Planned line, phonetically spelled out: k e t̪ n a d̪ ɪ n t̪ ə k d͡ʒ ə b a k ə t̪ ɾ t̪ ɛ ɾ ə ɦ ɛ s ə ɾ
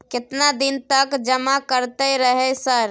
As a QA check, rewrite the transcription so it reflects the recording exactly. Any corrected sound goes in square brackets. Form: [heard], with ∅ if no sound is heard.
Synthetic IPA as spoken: k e t̪ n a d̪ [i] n t̪ ə k d͡ʒ ə [m] a k ə [∅] ɾ t̪ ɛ ɾ ə ɦ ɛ s ə ɾ